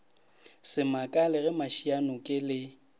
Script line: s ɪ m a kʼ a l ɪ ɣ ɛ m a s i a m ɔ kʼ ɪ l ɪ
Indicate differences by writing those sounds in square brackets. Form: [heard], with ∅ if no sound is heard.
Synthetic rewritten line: s ɪ m a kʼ a l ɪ ɣ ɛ m a [ʃ] i a [n] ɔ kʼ ɪ l ɪ